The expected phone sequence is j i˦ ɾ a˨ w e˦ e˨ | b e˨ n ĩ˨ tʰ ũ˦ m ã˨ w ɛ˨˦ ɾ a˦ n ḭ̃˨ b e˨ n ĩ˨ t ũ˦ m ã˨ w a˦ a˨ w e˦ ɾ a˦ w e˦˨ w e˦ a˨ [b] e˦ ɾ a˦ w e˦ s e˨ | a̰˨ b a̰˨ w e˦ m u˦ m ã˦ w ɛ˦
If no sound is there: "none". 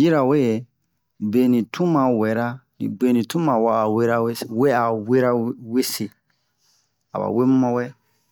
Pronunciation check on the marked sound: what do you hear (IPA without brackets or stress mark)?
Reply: w